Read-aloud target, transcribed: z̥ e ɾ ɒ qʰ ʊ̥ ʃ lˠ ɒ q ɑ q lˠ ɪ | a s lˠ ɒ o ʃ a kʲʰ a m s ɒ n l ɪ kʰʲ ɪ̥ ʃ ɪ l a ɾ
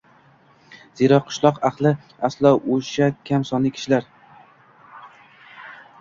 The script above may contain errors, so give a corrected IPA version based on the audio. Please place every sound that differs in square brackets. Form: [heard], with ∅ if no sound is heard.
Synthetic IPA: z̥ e ɾ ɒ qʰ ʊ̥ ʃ lˠ ɒ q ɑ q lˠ ɪ | a s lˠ ɒ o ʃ a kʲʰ a m s ɒ n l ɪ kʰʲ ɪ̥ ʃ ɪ l a ɾ